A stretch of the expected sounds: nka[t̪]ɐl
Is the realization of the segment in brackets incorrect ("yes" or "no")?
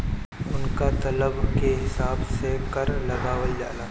no